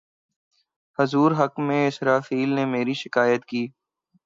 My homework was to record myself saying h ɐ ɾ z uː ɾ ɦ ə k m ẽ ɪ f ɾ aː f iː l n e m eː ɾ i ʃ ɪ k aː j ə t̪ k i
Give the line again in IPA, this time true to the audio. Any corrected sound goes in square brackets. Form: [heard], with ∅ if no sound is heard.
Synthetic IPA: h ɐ [∅] z uː ɾ ɦ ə k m ẽ ɪ [s] ɾ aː f iː l n e m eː ɾ i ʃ ɪ k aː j ə t̪ k [iː]